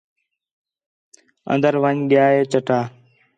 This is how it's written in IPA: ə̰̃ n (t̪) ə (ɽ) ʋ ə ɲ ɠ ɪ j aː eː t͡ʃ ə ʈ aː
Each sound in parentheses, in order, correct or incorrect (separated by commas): incorrect, incorrect